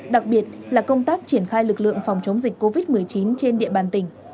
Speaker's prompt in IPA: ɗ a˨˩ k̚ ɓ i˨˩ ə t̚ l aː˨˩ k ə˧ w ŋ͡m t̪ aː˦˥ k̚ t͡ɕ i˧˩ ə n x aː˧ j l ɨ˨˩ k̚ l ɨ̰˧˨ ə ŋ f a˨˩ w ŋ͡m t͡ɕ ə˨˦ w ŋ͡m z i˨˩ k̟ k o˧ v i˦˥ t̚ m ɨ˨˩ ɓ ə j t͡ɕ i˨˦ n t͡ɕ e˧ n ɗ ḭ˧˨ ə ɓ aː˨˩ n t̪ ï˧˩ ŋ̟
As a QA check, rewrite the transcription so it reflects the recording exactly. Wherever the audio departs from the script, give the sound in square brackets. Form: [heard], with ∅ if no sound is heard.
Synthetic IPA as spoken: ɗ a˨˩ k̚ ɓ i˨˩ ə t̚ l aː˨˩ k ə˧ w ŋ͡m t̪ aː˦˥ k̚ t͡ɕ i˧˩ ə n x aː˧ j l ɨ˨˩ k̚ l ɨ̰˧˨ ə ŋ f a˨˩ w ŋ͡m t͡ɕ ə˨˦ w ŋ͡m z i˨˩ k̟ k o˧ v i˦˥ t̚ m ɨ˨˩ [∅] ə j t͡ɕ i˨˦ n t͡ɕ e˧ n ɗ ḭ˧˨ ə ɓ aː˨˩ n t̪ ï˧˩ ŋ̟